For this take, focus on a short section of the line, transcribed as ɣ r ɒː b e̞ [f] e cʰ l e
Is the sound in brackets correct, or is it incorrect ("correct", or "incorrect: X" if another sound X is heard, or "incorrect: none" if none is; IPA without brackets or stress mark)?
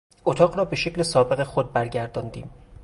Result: incorrect: ʃ